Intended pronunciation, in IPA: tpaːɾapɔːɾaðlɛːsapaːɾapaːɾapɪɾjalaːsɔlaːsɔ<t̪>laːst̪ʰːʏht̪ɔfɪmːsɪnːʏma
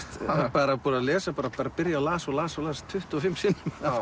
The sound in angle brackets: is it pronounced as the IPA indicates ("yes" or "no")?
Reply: no